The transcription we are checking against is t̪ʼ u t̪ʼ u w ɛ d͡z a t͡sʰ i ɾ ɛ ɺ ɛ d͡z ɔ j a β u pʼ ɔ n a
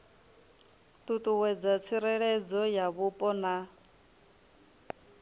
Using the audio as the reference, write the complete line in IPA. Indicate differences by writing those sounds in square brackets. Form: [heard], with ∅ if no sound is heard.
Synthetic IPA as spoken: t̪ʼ u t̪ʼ u w ɛ d͡z a t͡sʰ i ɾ ɛ ɺ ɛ d͡z ɔ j a β u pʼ ɔ n a